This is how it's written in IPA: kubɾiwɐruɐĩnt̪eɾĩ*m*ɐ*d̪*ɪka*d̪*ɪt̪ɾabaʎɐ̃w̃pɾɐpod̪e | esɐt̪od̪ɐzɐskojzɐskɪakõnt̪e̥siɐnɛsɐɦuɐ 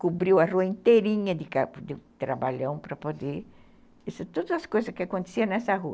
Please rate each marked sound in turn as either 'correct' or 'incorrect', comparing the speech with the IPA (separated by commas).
incorrect, correct, correct